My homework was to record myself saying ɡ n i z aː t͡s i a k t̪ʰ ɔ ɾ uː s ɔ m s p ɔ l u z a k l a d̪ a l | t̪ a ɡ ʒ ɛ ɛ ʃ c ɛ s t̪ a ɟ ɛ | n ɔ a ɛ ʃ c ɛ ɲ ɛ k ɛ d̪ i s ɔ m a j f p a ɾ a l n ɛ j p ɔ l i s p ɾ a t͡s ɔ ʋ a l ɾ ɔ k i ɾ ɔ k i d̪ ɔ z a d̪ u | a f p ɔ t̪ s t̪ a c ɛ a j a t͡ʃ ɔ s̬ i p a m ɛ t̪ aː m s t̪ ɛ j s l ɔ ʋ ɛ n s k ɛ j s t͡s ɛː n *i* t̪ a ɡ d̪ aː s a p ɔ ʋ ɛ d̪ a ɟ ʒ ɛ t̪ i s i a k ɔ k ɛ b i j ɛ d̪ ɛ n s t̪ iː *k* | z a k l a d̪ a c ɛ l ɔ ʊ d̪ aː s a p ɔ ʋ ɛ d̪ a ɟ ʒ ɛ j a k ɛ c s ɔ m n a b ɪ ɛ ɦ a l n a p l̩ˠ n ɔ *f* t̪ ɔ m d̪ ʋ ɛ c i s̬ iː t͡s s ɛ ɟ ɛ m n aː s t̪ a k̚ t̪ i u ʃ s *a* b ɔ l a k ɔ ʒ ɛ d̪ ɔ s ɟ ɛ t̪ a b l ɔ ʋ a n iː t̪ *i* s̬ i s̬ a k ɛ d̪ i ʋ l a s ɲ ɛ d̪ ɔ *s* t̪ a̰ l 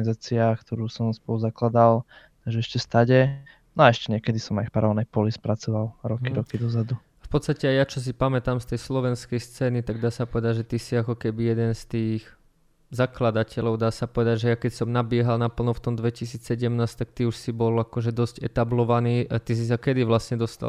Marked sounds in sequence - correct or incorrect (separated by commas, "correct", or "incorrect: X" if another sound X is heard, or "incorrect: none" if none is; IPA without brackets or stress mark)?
correct, incorrect: x, correct, incorrect: i, correct, correct